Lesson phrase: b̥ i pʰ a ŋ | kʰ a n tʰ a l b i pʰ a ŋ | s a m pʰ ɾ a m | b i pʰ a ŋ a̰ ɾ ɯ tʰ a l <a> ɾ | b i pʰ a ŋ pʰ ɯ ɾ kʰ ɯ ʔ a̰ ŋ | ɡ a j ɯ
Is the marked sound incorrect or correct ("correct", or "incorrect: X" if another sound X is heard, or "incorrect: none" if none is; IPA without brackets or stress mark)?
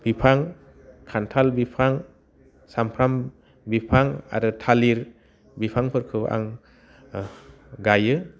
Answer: incorrect: i